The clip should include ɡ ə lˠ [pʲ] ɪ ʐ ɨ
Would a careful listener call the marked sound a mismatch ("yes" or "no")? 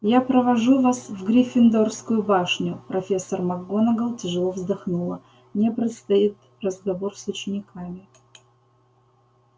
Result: yes